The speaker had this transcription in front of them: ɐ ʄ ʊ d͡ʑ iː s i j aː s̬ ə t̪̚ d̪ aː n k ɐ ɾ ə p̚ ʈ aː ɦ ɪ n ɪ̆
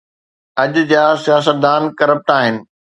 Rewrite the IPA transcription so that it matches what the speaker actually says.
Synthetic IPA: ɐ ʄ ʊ d͡ʑ aː s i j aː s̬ ə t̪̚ d̪ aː n k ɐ ɾ ə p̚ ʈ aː ɦ ɪ n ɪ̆